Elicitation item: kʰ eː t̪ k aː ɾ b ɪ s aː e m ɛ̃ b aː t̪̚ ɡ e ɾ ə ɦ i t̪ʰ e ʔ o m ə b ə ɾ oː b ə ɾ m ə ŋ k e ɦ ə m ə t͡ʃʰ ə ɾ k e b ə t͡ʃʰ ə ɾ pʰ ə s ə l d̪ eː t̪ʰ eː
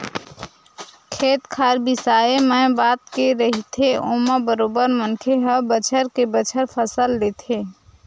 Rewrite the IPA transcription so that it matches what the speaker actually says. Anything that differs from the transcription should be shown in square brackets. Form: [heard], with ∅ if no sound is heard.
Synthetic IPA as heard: kʰ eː t̪ [kʰ] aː ɾ b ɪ s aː e m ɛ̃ b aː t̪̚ [k] e ɾ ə ɦ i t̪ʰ e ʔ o m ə b ə ɾ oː b ə ɾ m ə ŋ [kʰ] e ɦ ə [b] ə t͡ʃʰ ə ɾ k e b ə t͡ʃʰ ə ɾ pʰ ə s ə l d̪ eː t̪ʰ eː